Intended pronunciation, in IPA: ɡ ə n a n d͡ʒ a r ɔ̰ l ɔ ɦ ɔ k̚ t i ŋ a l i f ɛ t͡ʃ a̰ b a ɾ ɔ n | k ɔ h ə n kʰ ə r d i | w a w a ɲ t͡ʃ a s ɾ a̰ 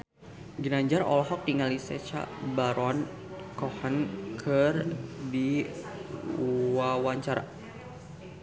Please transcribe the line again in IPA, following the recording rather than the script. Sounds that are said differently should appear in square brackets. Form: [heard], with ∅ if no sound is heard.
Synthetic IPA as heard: ɡ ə n a [ɲ] d͡ʒ a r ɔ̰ l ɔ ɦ ɔ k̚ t i ŋ a l i [s] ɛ t͡ʃ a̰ b a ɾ ɔ n | k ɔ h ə n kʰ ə r d i | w a w a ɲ t͡ʃ a [∅] ɾ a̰